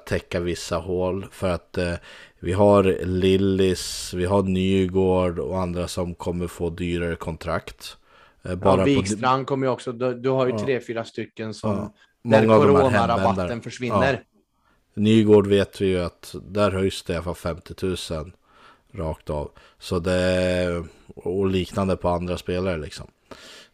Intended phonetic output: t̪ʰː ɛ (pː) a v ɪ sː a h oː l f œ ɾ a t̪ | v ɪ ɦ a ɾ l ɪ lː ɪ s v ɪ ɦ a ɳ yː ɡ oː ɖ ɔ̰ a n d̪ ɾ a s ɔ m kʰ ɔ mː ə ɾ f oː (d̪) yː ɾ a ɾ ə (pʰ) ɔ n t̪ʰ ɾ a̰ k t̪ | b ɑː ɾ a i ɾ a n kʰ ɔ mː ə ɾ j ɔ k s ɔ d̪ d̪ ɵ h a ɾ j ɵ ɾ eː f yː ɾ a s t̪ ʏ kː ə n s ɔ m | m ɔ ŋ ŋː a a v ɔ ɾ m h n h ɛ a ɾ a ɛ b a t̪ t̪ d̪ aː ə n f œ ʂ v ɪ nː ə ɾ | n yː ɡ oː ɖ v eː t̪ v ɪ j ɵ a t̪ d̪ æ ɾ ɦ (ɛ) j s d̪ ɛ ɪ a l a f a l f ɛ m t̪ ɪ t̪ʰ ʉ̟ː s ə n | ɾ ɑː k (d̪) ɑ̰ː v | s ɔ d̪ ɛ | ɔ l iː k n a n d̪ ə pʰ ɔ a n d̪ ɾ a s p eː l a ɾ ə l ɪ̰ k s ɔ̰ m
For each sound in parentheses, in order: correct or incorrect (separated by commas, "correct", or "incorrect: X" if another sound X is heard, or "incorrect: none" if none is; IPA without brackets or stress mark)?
incorrect: kː, correct, incorrect: kʰ, incorrect: œ, incorrect: t̪